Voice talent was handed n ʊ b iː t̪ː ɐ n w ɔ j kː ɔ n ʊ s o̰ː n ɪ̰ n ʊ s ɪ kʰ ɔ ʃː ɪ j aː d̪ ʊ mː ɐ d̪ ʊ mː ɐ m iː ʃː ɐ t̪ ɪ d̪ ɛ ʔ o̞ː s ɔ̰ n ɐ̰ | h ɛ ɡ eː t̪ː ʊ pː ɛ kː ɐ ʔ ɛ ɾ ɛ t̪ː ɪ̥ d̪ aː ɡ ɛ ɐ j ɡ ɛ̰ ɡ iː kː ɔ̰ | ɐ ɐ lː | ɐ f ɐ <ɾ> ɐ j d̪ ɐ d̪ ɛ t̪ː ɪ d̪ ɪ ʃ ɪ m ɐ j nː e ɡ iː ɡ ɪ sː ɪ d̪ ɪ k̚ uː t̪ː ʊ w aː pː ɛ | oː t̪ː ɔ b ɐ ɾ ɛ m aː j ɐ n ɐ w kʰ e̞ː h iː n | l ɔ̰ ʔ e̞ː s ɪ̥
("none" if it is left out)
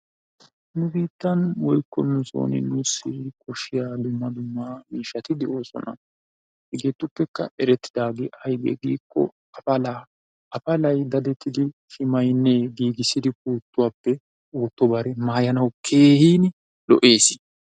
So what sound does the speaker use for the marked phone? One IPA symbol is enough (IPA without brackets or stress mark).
l